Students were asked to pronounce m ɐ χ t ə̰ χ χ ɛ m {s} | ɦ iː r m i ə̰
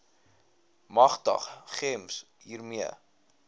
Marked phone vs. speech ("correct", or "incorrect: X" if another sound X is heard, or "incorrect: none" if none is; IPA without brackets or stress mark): correct